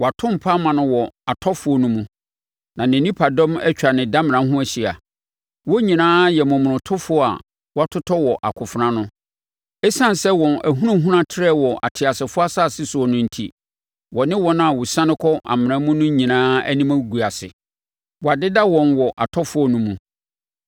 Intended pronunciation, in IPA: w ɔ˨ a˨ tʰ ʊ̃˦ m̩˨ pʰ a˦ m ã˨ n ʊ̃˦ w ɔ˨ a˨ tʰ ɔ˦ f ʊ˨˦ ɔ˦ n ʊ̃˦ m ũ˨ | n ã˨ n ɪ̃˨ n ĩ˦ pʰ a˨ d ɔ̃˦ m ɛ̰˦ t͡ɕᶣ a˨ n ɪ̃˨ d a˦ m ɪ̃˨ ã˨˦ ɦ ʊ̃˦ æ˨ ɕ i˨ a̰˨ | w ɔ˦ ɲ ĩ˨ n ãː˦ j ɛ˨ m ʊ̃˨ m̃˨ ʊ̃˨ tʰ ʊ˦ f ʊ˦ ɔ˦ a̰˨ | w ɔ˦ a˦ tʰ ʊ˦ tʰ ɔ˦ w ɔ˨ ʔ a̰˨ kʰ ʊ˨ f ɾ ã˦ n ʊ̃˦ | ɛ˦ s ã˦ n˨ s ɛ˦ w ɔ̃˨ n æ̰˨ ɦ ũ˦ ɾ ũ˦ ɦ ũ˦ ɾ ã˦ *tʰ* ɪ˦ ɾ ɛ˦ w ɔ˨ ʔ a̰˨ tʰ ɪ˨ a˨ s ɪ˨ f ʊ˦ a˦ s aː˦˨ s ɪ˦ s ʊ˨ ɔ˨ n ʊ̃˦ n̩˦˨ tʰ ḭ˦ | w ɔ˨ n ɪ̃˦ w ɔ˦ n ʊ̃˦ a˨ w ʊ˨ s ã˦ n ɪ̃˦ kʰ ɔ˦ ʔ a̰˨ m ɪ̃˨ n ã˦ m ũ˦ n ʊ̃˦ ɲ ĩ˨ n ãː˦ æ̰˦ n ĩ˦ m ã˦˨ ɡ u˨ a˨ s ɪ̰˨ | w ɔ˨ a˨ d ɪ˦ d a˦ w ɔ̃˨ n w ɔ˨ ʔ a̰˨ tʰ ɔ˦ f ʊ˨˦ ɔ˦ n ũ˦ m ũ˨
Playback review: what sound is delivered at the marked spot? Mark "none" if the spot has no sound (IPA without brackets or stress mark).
tʰ